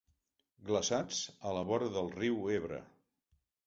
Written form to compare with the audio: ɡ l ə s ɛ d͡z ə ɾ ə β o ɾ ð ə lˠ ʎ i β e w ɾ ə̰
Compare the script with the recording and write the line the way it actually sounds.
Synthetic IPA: ɡ l ə s a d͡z ə l ə β ɔ ɾ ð ə lˠ r i w e β ɾ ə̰